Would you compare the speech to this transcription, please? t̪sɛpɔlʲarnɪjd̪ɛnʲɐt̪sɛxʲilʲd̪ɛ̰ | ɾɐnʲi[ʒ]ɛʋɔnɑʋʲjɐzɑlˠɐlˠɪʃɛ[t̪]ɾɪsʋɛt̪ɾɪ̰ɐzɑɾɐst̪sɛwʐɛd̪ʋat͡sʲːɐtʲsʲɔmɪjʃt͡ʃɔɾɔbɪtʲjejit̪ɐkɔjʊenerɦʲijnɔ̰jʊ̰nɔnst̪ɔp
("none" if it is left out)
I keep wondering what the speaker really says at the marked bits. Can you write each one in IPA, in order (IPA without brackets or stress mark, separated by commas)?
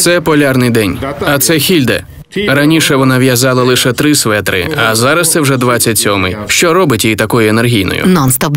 ʃ, t̪